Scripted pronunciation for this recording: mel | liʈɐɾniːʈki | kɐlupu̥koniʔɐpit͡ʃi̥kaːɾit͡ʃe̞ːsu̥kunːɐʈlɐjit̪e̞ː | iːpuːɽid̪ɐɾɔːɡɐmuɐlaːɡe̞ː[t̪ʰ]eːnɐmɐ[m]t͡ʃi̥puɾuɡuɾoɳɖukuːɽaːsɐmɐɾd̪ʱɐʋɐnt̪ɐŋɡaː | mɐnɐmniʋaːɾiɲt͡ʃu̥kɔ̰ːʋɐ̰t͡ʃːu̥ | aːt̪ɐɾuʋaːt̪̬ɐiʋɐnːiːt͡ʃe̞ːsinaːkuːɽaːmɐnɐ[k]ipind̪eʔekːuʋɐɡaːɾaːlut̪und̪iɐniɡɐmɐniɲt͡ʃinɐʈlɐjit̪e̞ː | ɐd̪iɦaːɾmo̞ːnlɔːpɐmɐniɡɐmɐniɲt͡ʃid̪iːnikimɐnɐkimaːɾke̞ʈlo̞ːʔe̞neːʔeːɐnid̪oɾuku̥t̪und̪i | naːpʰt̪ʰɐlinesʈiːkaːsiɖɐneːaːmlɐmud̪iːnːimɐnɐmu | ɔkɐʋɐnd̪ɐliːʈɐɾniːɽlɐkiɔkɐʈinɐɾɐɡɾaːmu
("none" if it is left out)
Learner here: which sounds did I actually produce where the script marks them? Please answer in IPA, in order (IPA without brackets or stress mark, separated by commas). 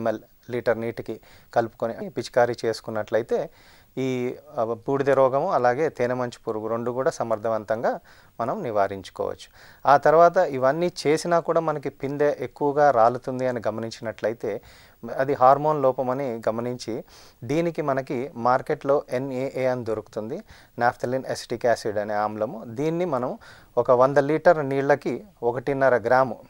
t̪, ɲ, k